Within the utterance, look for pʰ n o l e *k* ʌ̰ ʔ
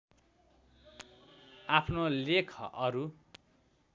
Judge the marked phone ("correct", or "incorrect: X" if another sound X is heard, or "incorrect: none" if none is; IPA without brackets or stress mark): incorrect: kʰ